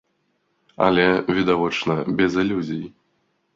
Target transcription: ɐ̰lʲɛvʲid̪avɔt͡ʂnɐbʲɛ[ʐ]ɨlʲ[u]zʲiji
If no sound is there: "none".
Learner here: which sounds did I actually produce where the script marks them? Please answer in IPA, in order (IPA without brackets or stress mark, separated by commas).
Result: z, u